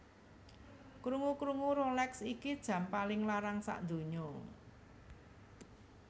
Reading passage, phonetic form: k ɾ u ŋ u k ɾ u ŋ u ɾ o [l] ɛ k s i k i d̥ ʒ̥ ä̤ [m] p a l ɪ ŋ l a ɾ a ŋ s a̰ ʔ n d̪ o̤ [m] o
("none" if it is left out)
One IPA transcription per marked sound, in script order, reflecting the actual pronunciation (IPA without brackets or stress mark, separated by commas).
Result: l, m, ɲ